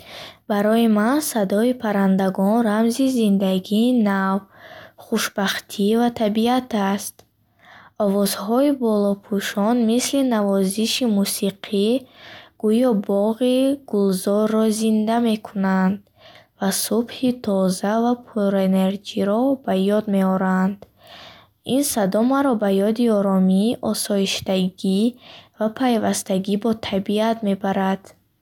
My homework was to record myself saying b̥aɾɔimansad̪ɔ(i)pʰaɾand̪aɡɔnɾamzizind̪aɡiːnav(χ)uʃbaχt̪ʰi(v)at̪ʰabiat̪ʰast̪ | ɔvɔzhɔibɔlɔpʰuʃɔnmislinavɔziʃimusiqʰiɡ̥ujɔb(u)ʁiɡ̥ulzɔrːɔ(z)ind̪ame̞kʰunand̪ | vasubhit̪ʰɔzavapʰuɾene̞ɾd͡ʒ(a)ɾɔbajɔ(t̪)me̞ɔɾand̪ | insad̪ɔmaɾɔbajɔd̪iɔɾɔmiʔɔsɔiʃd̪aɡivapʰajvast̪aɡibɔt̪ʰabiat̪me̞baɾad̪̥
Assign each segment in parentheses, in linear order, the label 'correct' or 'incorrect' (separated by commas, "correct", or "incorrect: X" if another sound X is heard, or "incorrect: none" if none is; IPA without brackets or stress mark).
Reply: correct, correct, correct, incorrect: ɔ, correct, incorrect: i, incorrect: d̪